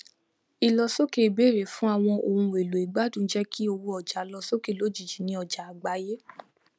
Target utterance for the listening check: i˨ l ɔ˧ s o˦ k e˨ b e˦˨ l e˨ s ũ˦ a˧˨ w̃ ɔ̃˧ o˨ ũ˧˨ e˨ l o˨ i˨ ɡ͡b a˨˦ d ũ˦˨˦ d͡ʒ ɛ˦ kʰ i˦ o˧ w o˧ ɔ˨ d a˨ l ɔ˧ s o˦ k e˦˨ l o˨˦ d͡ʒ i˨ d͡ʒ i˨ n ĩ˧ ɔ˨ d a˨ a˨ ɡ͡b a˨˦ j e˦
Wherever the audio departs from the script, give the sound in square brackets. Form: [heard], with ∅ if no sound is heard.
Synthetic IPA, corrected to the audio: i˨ l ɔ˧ s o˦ k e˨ b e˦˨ [ɾ] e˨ [f] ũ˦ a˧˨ w̃ ɔ̃˧ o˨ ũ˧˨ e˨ l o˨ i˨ ɡ͡b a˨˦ d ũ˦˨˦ d͡ʒ ɛ˦ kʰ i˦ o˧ w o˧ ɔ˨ [d͡ʒ] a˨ l ɔ˧ s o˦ k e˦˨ l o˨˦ d͡ʒ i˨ d͡ʒ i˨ n ĩ˧ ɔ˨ [d͡ʒ] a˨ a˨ ɡ͡b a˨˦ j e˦